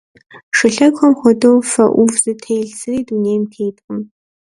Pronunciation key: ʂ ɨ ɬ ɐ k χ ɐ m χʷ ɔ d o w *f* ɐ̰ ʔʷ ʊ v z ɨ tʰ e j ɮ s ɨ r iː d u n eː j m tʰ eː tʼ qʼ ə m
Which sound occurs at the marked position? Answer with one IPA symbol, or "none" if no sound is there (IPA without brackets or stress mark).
f